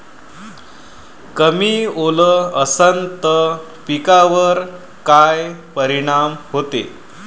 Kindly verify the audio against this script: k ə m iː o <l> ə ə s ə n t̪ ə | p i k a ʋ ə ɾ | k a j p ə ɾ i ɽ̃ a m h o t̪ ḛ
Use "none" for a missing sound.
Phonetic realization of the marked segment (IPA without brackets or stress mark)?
l